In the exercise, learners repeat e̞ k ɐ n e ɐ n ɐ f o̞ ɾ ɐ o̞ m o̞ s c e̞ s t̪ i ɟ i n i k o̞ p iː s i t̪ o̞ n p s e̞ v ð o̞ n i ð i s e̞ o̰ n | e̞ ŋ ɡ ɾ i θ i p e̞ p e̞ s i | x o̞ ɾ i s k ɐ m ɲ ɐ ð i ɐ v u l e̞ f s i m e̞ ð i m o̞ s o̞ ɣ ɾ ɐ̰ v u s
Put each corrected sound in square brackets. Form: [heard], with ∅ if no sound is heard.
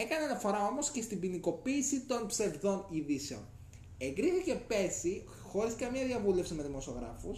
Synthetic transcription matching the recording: e̞ k ɐ n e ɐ n ɐ f o̞ ɾ ɐ o̞ m o̞ s c e̞ s t̪ i [b] i n i k o̞ p iː s i t̪ o̞ n p s e̞ v ð o̞ n i ð i s e̞ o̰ n | e̞ ŋ ɡ ɾ i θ i [c] e̞ p e̞ s i | x o̞ ɾ i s k ɐ m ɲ ɐ ð i ɐ v u l e̞ f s i m e̞ ð i m o̞ s o̞ ɣ ɾ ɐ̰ [f] u s